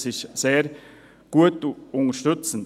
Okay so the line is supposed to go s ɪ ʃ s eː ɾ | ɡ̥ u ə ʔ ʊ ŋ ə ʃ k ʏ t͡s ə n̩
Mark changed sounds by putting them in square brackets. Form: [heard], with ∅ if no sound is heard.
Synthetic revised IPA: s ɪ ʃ s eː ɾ | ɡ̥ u ə [t] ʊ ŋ ə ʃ [t] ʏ t͡s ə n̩